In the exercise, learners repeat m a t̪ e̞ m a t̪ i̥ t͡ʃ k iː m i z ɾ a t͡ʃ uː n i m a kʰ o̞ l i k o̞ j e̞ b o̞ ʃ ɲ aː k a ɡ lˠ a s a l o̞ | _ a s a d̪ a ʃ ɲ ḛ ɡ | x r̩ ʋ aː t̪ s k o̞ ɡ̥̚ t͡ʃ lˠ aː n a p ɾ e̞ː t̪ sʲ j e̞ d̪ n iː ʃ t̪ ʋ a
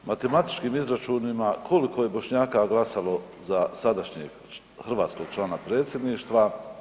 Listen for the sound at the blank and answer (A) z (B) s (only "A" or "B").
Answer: A